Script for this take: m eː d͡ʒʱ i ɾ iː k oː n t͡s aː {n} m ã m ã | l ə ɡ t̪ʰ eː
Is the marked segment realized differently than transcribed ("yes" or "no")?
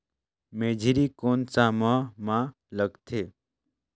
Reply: yes